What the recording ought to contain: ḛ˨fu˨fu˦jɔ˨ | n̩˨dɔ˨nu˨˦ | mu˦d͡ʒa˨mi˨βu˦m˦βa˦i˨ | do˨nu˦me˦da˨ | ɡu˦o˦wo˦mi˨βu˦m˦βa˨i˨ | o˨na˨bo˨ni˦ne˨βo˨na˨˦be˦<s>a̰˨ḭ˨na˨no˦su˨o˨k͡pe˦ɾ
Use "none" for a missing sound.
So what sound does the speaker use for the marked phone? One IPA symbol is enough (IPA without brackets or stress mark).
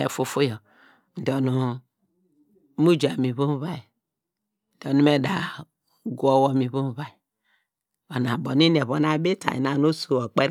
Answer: t